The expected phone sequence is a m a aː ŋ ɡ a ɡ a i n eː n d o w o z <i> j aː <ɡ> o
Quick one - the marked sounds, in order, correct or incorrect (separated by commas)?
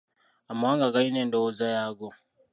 incorrect, correct